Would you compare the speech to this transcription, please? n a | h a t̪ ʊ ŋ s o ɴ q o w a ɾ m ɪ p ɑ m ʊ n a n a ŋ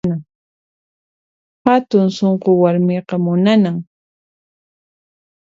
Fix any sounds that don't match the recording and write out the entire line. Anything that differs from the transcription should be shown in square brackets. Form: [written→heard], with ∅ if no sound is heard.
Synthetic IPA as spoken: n a | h a t̪ ʊ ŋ s o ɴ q o w a ɾ m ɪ [p→q] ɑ m ʊ n a n a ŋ